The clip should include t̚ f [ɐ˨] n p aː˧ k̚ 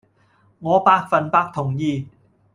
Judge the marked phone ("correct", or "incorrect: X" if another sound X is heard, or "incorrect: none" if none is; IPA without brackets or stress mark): correct